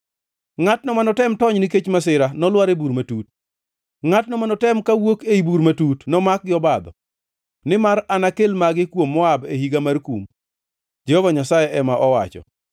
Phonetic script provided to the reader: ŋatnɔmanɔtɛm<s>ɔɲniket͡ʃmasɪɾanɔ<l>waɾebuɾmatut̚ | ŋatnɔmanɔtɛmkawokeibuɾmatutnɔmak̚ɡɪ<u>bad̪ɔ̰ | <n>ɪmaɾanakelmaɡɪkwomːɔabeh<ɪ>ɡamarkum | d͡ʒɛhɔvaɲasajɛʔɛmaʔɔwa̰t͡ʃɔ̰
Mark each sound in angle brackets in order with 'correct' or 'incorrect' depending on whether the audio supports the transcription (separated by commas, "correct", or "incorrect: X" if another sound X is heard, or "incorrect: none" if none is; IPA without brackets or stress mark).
incorrect: t, correct, incorrect: ɔ, correct, incorrect: i